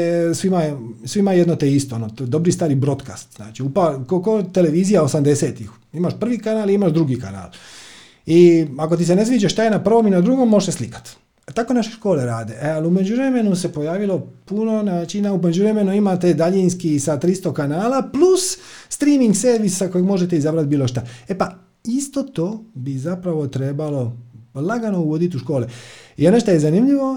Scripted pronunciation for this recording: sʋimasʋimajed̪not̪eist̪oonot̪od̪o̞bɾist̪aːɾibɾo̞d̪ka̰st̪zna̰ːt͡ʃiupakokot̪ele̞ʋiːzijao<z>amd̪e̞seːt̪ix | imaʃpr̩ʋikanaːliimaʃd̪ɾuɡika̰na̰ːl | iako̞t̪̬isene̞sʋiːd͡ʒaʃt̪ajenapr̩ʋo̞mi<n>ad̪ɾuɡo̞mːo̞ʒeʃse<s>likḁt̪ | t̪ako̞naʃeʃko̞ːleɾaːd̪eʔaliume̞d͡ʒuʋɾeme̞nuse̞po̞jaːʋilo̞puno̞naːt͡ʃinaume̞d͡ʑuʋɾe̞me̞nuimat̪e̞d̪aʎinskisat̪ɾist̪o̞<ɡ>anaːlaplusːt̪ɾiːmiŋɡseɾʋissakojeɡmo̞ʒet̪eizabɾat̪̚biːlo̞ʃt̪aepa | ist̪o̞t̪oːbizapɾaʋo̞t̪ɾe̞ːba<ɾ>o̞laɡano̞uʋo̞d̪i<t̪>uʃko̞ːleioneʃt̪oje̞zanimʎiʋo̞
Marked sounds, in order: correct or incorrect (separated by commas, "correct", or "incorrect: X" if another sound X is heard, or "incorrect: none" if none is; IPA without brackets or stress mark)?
incorrect: s, correct, correct, incorrect: k, incorrect: l, correct